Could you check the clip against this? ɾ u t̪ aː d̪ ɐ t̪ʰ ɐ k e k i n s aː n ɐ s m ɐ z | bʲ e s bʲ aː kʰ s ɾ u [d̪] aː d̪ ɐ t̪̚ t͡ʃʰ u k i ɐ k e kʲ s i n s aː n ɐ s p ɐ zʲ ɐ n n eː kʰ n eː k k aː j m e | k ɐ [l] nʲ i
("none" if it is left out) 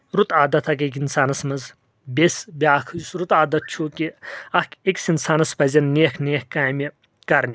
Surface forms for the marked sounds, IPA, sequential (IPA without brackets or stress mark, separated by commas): t̪, ɾ